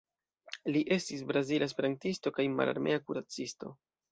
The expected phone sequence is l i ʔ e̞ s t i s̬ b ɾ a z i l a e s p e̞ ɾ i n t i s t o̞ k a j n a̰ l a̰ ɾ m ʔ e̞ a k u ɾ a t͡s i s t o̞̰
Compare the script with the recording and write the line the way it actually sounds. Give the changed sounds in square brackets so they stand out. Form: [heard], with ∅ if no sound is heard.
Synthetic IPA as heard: l i ʔ e̞ s t i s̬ b ɾ a z i l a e s p e̞ ɾ [a] n t i s t o̞ k a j [m] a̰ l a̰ ɾ m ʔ e̞ a k u ɾ a t͡s i s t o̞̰